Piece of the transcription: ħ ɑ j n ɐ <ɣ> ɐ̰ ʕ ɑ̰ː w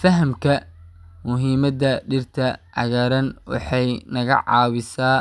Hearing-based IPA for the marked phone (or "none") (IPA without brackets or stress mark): ɣ